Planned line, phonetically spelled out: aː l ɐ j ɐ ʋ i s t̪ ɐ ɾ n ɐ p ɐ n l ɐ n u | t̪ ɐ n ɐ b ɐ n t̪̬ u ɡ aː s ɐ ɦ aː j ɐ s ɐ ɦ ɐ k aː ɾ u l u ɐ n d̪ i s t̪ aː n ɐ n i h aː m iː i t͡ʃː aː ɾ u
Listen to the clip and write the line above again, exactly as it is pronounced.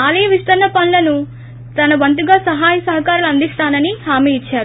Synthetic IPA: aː l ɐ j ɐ ʋ i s t̪ ɐ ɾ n ɐ p ɐ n l ɐ n u | t̪ ɐ n ɐ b ɐ n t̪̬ u ɡ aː s ɐ ɦ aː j ɐ s ɐ ɦ ɐ k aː ɾ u l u ɐ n d̪ i s t̪ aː n ɐ n i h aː m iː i t͡ʃː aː ɾ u